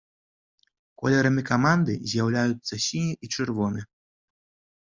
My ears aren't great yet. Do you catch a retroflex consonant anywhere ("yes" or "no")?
yes